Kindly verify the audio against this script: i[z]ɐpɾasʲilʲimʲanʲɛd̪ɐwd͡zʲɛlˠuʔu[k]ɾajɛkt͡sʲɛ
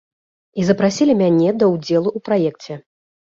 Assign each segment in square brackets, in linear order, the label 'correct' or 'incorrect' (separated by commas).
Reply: correct, incorrect